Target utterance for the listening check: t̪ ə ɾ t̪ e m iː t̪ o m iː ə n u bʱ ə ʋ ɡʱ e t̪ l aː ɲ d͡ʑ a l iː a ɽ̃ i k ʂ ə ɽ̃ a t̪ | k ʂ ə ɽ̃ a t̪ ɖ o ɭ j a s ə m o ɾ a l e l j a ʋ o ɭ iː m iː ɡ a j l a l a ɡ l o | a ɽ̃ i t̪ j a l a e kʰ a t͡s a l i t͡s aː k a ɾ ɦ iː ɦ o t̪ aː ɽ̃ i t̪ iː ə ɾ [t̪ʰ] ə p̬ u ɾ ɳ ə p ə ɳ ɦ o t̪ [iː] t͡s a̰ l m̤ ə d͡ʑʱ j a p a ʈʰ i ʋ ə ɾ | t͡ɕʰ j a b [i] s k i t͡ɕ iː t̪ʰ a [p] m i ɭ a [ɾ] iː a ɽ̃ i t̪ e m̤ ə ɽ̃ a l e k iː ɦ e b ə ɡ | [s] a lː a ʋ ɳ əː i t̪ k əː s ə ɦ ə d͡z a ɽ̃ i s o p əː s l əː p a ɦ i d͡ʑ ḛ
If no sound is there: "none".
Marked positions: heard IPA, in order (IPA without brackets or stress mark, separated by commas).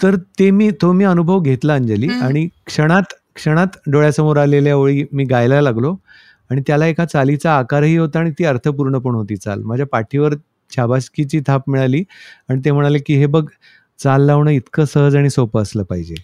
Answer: t̪ʰ, iː, a, p, l, t͡s